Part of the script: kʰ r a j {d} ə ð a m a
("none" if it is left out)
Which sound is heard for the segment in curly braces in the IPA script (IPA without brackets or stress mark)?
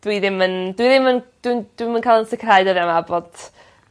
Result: d